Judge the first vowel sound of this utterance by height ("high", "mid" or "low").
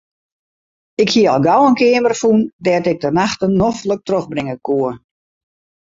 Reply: high